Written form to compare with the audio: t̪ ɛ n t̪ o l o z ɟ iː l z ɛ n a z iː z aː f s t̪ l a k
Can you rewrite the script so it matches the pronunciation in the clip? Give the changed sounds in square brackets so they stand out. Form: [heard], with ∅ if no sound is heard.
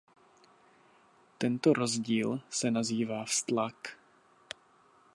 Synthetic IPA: t̪ ɛ n t̪ o [ɾ] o z ɟ iː l [s] ɛ n a z iː [v] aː f s t̪ l a k